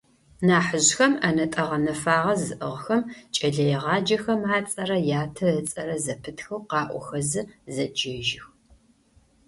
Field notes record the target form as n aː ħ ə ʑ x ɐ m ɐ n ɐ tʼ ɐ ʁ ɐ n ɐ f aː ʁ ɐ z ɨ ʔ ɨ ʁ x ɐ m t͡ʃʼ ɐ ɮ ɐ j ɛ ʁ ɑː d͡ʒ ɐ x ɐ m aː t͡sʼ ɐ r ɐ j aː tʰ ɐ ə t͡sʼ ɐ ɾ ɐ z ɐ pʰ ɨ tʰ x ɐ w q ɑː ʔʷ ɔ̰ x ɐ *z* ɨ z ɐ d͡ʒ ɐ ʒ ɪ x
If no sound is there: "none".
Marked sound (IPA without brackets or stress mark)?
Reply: z